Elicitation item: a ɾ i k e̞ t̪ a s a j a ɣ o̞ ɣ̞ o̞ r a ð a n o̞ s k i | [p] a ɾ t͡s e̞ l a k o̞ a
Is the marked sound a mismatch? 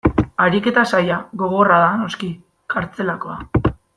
yes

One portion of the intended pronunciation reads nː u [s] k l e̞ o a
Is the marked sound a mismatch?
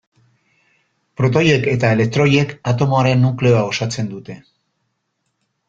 yes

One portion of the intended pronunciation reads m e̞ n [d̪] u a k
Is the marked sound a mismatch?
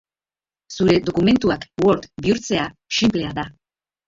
yes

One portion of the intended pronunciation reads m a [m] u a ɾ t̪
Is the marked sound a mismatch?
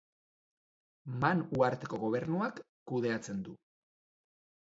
yes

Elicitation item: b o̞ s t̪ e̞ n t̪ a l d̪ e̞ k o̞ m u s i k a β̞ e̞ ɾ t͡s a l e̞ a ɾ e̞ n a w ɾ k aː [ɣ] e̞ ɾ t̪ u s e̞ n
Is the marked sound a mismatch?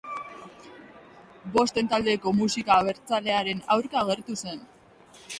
no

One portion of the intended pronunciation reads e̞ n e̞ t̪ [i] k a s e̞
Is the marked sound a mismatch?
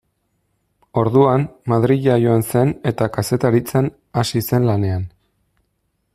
yes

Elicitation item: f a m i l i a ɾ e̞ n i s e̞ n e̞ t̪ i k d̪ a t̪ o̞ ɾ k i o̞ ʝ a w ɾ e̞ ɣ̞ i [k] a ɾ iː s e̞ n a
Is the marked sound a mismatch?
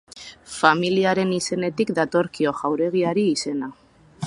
yes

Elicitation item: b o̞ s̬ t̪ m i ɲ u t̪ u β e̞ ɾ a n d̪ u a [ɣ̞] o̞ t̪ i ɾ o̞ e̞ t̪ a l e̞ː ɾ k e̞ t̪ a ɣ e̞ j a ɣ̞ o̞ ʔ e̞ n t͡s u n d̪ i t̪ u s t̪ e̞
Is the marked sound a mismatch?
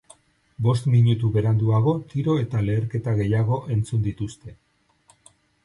no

